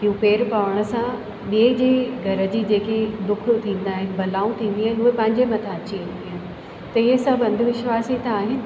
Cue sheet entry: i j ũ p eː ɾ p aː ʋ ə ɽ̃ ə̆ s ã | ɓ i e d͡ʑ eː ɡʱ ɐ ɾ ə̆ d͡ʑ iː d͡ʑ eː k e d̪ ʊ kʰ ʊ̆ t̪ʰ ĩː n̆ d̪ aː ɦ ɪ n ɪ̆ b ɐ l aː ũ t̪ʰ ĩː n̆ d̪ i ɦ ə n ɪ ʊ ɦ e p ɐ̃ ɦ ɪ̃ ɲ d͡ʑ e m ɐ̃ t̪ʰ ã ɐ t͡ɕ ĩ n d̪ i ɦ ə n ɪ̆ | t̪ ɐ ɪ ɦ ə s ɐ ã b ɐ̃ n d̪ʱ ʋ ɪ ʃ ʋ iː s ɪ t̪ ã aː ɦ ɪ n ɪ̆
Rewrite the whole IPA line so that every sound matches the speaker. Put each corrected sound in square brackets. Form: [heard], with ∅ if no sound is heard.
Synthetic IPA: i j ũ p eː ɾ p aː ʋ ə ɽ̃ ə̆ s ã | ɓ i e d͡ʑ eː ɡʱ ɐ ɾ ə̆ d͡ʑ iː d͡ʑ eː k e d̪ ʊ kʰ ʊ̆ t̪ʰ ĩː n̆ d̪ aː ɦ ɪ n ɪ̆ b ɐ l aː ũ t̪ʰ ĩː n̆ d̪ i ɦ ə n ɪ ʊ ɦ e p ɐ̃ ɦ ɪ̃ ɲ d͡ʑ e m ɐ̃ t̪ʰ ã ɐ t͡ɕ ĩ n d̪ i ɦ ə n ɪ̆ | t̪ ɐ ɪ ɦ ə s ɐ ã b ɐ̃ n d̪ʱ ʋ ɪ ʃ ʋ [aː] s [i] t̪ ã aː ɦ ɪ n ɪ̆